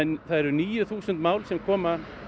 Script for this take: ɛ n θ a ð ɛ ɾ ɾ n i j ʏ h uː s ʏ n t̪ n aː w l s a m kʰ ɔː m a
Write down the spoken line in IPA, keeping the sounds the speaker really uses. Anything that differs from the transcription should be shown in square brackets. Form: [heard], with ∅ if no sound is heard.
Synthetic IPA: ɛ n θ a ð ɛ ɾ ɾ n [iː] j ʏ [θ] uː s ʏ n t̪ [m] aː w l s [ɛ] m kʰ ɔː m a